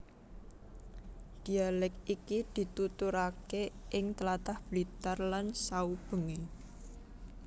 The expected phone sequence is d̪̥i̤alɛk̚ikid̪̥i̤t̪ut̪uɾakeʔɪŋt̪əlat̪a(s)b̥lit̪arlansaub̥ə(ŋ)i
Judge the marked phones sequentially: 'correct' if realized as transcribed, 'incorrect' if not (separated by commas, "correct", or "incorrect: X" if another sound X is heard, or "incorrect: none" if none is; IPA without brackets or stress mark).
incorrect: h, correct